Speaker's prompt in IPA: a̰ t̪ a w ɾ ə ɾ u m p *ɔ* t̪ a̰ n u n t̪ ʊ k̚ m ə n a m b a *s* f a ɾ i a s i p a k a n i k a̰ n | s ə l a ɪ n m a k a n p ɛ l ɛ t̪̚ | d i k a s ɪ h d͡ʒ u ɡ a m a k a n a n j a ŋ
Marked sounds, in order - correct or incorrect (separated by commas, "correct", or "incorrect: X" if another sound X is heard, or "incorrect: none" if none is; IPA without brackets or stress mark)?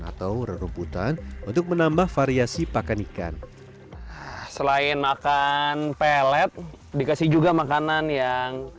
incorrect: u, incorrect: h